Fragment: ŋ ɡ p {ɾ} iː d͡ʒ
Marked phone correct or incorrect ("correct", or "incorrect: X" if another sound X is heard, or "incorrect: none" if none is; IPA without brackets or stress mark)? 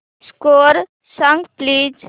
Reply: incorrect: l